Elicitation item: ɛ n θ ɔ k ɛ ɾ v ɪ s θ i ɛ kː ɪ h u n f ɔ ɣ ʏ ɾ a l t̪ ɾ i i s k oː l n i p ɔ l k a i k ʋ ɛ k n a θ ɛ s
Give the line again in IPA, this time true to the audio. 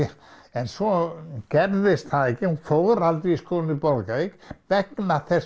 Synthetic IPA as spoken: ɛ n s ɔ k ɛ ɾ ð ɪ s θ a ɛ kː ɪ h u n f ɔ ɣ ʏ ɾ a l t̪ ɾ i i s k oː l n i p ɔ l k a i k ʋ ɛ k n a θ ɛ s